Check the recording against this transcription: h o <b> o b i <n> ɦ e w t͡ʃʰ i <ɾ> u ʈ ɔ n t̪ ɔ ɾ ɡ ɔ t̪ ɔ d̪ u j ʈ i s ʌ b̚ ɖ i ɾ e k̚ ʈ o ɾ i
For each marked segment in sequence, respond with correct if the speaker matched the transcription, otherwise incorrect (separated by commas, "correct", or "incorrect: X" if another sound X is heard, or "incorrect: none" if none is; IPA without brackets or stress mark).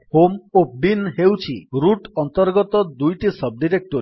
incorrect: m, correct, correct